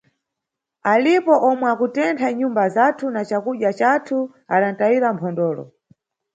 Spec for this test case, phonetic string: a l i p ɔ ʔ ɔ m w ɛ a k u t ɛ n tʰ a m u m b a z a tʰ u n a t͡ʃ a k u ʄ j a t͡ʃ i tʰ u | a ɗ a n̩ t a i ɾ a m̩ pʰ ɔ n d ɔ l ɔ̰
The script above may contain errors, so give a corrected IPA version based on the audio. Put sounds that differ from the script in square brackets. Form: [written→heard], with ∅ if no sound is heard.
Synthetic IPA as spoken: a l i p ɔ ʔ ɔ m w ɛ a k u t ɛ n tʰ a [m→ɲ] u m b a z a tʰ u n a t͡ʃ a k u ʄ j a t͡ʃ [i→a] tʰ u | a ɗ a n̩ t a i ɾ a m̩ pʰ ɔ n d [ɔ→ɔː] l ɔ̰